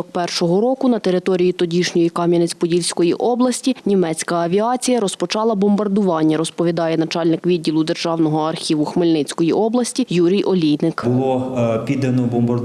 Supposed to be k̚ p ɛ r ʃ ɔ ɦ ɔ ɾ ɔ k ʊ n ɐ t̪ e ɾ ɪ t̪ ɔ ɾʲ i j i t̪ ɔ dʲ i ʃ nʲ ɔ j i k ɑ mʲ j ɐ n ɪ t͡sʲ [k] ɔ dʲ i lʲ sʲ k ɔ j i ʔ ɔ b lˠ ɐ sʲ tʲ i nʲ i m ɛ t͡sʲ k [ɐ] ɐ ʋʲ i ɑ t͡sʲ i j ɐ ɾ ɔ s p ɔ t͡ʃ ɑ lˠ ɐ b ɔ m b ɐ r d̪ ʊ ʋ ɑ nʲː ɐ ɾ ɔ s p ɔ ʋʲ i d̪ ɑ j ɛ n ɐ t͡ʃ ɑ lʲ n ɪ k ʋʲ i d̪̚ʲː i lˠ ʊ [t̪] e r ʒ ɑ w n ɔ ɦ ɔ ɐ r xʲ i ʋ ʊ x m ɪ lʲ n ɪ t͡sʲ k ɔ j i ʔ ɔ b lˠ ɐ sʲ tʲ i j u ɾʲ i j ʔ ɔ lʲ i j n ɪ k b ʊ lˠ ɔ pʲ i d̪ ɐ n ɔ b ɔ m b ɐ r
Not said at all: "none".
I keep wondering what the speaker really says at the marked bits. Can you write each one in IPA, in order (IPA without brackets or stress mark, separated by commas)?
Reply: p, ɐ, d̪